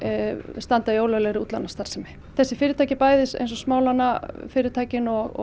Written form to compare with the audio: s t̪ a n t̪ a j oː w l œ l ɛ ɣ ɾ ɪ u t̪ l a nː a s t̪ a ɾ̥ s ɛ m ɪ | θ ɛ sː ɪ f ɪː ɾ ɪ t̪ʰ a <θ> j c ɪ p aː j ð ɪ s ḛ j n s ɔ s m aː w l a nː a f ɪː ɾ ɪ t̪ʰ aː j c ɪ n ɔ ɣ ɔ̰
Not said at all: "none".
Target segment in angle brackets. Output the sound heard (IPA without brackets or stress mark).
none